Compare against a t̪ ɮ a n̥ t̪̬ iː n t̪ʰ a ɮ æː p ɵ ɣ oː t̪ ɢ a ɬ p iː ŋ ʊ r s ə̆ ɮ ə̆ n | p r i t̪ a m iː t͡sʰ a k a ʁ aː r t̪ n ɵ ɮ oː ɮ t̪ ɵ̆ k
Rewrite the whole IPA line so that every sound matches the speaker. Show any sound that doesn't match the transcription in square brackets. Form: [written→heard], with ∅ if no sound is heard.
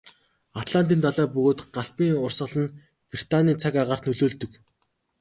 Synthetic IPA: a t̪ ɮ a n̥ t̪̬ iː n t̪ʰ a ɮ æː p ɵ ɣ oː t̪ ɢ a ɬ p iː ŋ ʊ r s ə̆ ɮ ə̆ n | p r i t̪ a [m→n] iː t͡sʰ a k a ʁ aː r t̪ n ɵ ɮ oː ɮ t̪ ɵ̆ k

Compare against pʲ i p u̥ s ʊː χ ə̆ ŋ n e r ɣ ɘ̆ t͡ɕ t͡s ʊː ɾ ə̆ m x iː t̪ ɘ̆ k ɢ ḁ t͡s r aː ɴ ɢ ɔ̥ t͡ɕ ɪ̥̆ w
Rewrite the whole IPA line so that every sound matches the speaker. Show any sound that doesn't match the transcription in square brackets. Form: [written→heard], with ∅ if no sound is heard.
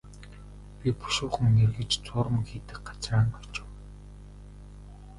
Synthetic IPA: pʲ i p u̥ [s→ʃ] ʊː χ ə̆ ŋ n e r ɣ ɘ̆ t͡ɕ t͡s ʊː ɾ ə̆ m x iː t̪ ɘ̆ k ɢ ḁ t͡s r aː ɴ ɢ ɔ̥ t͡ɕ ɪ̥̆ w

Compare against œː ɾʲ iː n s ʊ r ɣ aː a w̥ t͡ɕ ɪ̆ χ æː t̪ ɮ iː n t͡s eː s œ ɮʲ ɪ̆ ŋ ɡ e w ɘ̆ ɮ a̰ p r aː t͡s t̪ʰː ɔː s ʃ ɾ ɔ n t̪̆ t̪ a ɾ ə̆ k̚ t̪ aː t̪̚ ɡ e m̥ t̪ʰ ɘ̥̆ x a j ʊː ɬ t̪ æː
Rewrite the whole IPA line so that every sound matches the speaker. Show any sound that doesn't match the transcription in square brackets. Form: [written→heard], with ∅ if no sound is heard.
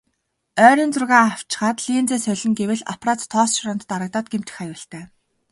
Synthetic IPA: œː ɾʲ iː n [s→t͡s] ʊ r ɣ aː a w̥ t͡ɕ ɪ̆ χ [æː→aː] t̪ ɮ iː n t͡s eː s œ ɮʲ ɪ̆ ŋ ɡ e w ɘ̆ ɮ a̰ p r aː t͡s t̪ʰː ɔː s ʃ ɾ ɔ n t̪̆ t̪ a ɾ ə̆ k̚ t̪ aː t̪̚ ɡ e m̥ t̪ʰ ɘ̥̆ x a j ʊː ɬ t̪ æː

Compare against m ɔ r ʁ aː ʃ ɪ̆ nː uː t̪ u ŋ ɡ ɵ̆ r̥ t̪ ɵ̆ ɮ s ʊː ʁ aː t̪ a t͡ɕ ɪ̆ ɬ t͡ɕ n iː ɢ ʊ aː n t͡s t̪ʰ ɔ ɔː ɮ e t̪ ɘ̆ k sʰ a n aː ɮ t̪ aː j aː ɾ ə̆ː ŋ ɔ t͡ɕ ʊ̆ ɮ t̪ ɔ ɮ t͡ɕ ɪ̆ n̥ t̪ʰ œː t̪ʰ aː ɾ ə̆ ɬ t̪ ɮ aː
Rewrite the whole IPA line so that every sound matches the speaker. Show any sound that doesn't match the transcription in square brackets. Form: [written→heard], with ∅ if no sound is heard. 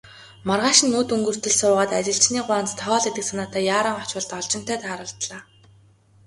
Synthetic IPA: m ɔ r ʁ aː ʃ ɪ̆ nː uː t̪ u ŋ ɡ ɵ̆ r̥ t̪ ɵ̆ ɮ s ʊː ʁ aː t̪ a t͡ɕ ɪ̆ ɬ t͡ɕ n iː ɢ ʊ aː n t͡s t̪ʰ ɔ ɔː ɮ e t̪ ɘ̆ k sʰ a n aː [ɮ→∅] t̪ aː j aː ɾ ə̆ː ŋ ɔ t͡ɕ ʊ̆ ɮ t̪ ɔ ɮ t͡ɕ ɪ̆ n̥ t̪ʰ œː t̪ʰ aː ɾ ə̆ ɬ t̪ ɮ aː

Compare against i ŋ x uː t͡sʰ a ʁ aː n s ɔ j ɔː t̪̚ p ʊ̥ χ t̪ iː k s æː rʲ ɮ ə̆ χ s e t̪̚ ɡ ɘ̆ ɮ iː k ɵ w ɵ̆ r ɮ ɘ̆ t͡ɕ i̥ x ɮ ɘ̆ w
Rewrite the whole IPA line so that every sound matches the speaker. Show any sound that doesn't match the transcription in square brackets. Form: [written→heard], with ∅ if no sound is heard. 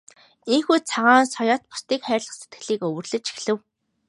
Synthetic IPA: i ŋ x uː t͡sʰ a ʁ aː n s ɔ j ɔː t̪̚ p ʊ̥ [χ→s] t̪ iː k [s→χ] æː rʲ ɮ ə̆ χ s e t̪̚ ɡ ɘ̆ ɮ iː k ɵ w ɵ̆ r ɮ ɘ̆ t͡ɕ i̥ x ɮ ɘ̆ w

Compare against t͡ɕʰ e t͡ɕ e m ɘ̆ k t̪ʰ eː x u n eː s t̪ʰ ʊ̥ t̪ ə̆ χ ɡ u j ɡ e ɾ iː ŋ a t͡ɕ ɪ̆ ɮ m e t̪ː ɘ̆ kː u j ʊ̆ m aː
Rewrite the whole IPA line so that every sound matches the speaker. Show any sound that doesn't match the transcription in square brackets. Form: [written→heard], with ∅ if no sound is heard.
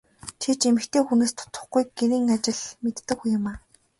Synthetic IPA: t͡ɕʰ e t͡ɕ e m ɘ̆ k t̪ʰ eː x u n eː s t̪ʰ ʊ̥ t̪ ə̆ χ ɡ u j ɡ e ɾ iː ŋ a t͡ɕ ɪ̆ ɮ m e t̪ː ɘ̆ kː u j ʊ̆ m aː

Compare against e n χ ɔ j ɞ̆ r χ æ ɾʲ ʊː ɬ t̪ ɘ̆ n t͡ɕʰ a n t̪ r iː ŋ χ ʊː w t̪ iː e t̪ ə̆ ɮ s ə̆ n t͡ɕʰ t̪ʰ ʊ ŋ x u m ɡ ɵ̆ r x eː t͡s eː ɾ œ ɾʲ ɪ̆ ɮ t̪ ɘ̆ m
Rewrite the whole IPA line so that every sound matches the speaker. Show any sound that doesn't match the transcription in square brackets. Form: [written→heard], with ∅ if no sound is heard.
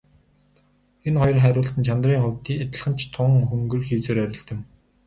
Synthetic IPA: e n χ ɔ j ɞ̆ r χ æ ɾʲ ʊː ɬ t̪ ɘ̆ n t͡ɕʰ a n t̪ r iː ŋ χ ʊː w t̪ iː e t̪ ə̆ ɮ [s→χ] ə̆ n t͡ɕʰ t̪ʰ ʊ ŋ x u [m→ŋ] ɡ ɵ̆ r x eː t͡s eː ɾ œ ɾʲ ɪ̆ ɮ t̪ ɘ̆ m

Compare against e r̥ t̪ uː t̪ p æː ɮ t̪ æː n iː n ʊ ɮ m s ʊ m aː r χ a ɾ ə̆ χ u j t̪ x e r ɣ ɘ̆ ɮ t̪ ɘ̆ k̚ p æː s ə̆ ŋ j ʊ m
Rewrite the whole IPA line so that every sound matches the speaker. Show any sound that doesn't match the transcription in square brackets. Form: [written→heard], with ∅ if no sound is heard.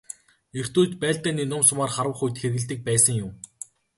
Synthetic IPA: e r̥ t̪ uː t̪ p æː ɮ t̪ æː n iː n ʊ [ɮ→∅] m s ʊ m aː r χ a ɾ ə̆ χ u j t̪ x e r ɣ ɘ̆ ɮ t̪ ɘ̆ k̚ p æː s ə̆ ŋ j ʊ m

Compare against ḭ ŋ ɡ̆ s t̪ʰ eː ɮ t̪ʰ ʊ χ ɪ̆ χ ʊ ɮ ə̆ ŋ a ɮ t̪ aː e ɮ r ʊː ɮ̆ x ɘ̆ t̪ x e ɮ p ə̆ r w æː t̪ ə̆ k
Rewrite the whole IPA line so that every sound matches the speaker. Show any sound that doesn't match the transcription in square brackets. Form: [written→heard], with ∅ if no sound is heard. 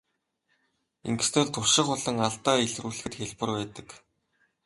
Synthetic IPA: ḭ ŋ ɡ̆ s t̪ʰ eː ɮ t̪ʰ ʊ [χ→ʃ] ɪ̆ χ ʊ ɮ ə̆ ŋ a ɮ t̪ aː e ɮ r [ʊː→uː] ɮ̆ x ɘ̆ t̪ x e ɮ p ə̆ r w æː t̪ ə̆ k

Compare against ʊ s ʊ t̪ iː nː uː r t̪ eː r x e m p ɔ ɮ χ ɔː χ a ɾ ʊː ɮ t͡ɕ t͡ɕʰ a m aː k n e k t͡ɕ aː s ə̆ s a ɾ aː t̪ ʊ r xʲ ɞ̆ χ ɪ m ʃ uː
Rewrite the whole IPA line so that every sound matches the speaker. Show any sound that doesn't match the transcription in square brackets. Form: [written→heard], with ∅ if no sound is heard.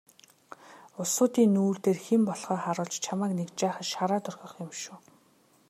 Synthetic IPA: ʊ s [ʊ→ʊː] t̪ iː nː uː r t̪ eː r x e m p ɔ ɮ χ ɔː χ a ɾ ʊː ɮ t͡ɕ t͡ɕʰ a m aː k n e k t͡ɕ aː [s→χ] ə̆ [s→ʃ] a ɾ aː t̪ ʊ r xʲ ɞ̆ χ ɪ m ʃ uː

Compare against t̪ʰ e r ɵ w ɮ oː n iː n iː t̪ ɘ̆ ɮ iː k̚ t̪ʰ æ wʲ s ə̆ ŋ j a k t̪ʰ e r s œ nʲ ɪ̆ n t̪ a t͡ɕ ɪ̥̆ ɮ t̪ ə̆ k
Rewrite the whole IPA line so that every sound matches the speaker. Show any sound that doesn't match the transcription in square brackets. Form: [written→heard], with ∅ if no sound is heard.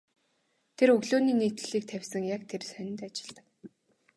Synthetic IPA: t̪ʰ e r ɵ [w→ɣ] ɮ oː n iː n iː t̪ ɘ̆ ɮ iː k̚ t̪ʰ æ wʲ s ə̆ ŋ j a k t̪ʰ e r s œ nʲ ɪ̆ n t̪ a t͡ɕ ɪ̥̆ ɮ t̪ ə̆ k

